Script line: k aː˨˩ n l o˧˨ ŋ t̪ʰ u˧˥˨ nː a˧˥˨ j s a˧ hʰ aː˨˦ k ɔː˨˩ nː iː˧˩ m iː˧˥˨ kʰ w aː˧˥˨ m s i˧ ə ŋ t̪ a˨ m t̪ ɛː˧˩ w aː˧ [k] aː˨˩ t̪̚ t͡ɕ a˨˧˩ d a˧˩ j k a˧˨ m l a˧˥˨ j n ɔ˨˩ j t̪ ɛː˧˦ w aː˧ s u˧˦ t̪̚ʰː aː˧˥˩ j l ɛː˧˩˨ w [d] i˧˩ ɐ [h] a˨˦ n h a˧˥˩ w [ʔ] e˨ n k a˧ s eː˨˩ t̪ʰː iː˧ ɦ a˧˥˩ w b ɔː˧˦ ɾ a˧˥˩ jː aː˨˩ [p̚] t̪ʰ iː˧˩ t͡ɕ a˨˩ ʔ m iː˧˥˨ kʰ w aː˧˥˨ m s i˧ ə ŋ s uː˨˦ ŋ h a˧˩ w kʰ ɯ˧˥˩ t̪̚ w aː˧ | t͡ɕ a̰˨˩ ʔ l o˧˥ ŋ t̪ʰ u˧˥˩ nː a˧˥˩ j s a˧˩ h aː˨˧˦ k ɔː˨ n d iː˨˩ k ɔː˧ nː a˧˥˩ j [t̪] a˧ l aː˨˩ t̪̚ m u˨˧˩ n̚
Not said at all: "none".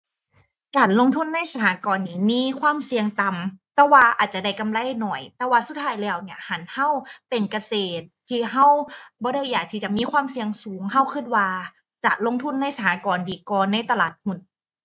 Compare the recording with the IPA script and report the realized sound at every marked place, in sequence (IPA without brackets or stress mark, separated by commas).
ʔ, n, h, p, k̚, t̪